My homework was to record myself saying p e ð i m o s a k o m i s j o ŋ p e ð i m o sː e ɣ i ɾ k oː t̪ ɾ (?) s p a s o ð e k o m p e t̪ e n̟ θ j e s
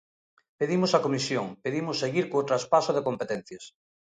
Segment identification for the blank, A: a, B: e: A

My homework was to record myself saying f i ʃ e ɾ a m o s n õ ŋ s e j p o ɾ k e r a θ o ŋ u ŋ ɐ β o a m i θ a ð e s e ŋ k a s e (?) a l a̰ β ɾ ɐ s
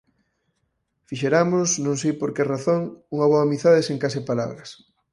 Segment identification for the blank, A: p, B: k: A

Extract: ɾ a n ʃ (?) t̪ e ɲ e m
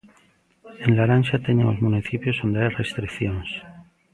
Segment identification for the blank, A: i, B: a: B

